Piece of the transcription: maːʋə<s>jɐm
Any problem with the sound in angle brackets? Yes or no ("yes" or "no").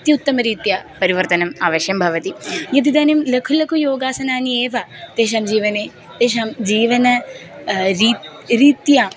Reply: yes